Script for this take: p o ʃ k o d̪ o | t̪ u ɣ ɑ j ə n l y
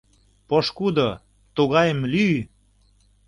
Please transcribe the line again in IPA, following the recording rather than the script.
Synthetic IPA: p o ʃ k u d̪ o | t̪ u ɣ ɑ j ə m l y